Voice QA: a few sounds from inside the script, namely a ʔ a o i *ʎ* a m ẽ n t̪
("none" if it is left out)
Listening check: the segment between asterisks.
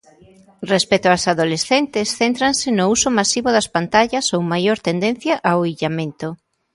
ʎ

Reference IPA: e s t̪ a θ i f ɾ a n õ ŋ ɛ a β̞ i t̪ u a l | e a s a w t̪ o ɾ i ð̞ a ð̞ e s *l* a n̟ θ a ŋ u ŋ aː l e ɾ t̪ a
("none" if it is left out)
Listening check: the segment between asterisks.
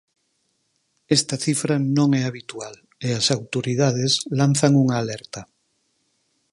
l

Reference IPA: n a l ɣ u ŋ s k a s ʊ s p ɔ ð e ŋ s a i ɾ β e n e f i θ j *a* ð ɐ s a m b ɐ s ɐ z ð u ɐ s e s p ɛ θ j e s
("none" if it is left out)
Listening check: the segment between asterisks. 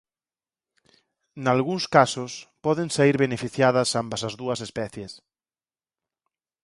a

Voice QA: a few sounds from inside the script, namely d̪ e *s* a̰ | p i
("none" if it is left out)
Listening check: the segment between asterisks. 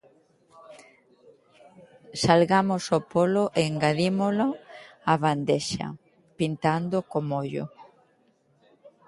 ʃ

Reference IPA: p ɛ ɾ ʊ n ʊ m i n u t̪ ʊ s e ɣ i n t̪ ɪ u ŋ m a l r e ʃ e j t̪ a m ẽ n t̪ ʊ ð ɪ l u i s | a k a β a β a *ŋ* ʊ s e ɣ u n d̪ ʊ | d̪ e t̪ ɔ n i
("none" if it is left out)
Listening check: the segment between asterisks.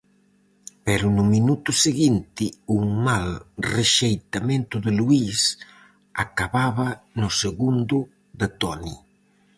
n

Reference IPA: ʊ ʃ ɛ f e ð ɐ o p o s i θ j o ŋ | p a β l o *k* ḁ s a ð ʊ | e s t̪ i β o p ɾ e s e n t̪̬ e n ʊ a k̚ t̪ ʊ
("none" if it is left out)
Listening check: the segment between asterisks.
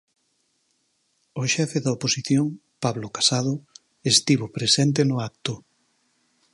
k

